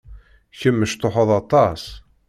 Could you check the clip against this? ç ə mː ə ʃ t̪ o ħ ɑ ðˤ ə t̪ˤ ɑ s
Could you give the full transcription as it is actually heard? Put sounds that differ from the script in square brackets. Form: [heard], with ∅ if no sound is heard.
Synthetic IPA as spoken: ç ə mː ə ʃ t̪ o ħ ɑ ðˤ [ɑ] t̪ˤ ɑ s

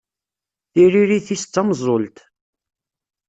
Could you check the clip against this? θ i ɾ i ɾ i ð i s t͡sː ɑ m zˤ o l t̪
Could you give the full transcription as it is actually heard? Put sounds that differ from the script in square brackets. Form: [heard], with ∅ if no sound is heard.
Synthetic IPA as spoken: θ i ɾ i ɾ i [θ] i s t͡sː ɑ m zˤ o l t̪

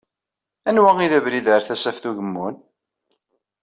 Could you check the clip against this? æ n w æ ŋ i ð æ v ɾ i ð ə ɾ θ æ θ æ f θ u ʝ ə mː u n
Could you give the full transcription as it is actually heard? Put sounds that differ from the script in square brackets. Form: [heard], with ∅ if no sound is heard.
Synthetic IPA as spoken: æ n w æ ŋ i ð æ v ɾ i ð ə ɾ θ æ [s] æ f θ u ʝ ə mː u n

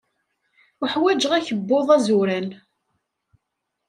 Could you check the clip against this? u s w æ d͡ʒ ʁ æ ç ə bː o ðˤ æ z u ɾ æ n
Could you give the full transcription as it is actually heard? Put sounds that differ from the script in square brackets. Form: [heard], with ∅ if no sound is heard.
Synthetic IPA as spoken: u [ħ] w æ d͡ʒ ʁ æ ç ə bː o ðˤ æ z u ɾ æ n

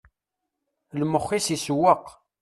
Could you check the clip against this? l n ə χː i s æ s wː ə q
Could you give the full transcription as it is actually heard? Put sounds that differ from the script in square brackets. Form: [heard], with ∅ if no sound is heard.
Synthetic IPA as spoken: l [m] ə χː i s [i] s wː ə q

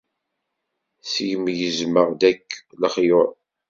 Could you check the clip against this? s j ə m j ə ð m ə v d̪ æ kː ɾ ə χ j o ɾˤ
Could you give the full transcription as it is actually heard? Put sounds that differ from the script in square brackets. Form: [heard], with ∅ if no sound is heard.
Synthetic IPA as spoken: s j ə m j ə [z] m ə [ʁ] d̪ æ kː [l] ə χ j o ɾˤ

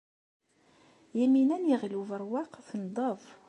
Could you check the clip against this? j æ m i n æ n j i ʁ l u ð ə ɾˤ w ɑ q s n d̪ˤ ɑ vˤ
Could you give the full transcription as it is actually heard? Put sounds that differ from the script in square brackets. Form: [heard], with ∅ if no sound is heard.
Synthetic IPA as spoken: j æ m i n æ n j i ʁ l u [v] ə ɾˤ w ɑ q [θ] n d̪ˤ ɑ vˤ

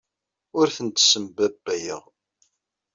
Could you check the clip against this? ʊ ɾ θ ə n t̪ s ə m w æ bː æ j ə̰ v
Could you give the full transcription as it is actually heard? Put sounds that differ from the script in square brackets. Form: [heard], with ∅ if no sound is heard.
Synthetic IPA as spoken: ʊ ɾ θ ə n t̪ s ə m [b] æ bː æ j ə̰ [ʁ]

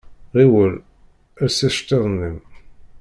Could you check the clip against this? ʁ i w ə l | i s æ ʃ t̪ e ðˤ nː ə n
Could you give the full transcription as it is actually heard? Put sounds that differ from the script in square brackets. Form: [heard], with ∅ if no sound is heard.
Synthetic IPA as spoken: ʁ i w ə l | [æ] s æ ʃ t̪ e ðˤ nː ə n

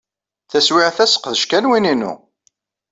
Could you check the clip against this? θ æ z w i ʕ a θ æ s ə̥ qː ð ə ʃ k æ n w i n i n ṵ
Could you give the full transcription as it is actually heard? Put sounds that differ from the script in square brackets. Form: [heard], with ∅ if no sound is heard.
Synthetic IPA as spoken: θ æ [s] w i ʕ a θ æ s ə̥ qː ð ə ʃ k æ n w i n i n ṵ

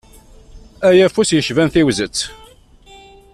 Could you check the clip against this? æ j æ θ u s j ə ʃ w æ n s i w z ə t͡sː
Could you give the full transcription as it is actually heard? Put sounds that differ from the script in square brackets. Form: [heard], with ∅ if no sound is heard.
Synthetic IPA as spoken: æ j æ [f] u s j ə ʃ [v] æ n [θ] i w z ə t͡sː

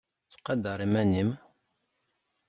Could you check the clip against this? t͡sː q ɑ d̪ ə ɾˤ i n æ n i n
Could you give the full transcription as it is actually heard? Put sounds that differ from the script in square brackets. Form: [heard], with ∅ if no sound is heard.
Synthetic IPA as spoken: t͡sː q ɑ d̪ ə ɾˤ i [m] æ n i [m]

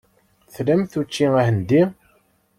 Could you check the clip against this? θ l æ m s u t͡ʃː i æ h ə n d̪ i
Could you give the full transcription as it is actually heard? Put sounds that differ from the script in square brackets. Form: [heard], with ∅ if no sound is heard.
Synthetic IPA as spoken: θ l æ m [θ] u t͡ʃː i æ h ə n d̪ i

